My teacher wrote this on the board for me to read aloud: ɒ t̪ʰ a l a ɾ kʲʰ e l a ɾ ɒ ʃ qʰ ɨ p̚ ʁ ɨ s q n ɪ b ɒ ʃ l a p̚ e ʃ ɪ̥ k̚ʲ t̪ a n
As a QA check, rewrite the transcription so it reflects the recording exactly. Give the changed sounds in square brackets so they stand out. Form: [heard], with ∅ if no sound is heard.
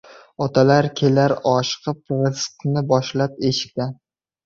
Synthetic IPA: ɒ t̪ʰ a l a ɾ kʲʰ e l a ɾ ɒ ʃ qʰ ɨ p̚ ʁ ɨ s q n ɪ b ɒ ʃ l a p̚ e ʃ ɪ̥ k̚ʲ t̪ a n